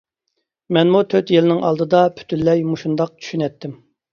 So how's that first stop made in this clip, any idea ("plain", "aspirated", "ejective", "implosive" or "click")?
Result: aspirated